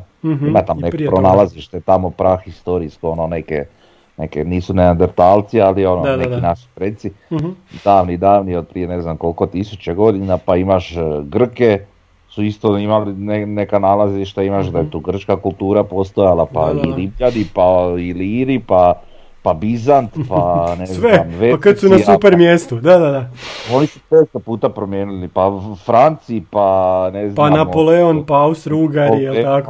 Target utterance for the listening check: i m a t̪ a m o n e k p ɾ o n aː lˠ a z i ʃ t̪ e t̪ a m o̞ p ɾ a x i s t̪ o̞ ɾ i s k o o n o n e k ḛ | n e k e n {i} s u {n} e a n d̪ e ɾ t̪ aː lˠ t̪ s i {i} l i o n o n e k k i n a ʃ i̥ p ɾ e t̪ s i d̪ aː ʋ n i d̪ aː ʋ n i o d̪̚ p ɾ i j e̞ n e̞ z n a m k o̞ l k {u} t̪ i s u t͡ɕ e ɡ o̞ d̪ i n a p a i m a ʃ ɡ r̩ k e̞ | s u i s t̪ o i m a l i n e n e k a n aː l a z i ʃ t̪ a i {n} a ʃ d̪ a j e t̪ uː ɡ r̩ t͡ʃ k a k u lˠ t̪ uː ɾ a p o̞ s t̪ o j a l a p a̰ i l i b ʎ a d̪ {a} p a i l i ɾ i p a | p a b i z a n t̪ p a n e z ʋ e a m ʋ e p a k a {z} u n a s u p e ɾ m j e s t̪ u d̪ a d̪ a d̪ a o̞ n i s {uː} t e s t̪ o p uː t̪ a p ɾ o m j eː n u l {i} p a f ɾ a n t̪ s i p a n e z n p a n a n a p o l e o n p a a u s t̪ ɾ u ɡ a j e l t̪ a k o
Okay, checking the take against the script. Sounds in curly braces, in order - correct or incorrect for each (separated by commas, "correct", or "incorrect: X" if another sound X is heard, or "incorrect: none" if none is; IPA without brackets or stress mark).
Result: incorrect: iː, correct, incorrect: a, incorrect: o, incorrect: m, incorrect: i, incorrect: s, incorrect: u, correct